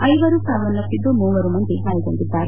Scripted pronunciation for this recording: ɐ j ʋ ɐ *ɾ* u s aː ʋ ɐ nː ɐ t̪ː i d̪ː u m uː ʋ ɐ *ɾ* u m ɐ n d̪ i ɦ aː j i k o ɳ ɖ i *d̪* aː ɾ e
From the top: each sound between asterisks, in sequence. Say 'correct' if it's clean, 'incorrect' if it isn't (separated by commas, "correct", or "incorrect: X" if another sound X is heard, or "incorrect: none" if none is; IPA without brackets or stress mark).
correct, correct, incorrect: d̪ː